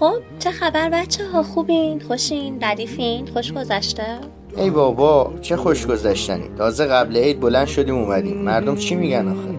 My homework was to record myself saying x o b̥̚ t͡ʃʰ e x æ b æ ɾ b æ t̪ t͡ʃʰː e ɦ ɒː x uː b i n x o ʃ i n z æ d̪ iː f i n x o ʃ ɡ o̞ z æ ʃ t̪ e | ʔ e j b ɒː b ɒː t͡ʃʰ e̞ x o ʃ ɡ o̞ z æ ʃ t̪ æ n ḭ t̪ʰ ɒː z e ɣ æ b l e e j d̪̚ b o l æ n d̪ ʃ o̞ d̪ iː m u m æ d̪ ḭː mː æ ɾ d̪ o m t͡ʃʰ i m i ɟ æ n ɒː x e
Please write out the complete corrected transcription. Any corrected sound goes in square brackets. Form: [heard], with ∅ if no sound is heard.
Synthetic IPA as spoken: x o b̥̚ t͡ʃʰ e x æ b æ ɾ b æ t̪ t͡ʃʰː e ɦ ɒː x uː b i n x o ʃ i n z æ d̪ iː f i n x o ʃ ɡ o̞ z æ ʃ t̪ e | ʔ e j b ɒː b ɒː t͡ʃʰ e̞ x o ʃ ɡ o̞ z æ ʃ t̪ æ n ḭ t̪ʰ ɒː z e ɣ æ b l e e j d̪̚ b o l æ n d̪ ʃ o̞ d̪ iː m u m æ d̪ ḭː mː æ ɾ d̪ o m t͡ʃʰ i m i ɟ æ n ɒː x e